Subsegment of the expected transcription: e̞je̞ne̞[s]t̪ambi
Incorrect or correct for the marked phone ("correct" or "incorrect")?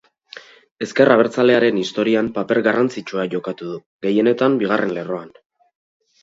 incorrect